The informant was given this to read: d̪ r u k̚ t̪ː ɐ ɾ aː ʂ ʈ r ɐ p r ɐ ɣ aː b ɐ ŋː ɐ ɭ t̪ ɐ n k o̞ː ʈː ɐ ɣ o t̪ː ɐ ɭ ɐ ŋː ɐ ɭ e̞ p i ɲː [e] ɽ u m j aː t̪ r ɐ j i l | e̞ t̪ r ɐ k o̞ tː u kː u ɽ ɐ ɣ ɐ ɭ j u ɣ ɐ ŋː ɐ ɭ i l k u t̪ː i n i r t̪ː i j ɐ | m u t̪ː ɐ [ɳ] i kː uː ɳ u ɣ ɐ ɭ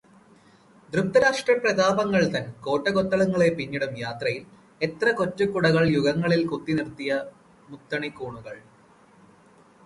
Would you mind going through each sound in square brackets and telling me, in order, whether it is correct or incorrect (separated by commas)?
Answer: incorrect, correct